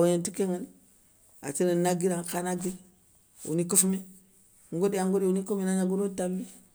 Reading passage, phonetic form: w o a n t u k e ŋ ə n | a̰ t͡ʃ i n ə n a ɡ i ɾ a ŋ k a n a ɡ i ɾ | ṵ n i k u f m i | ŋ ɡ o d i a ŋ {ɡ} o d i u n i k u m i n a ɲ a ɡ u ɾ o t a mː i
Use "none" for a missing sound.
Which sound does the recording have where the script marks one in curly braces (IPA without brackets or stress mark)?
ɡ